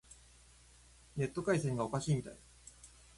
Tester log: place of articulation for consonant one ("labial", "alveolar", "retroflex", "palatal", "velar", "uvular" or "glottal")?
alveolar